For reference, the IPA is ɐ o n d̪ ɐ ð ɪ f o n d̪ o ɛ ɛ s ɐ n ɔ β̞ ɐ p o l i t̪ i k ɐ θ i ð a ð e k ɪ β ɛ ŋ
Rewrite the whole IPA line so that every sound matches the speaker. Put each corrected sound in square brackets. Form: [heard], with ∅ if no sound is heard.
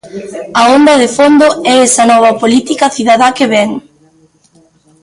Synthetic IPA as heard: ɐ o n d̪ ɐ ð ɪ f o n d̪ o ɛ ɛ s ɐ n ɔ β̞ ɐ p o l i t̪ i k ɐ θ i ð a ð [a] k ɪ β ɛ ŋ